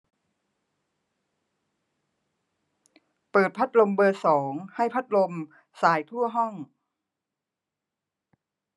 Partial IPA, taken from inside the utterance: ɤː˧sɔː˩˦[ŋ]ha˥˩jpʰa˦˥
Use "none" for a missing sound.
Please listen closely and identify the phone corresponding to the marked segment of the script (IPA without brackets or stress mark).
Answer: ŋ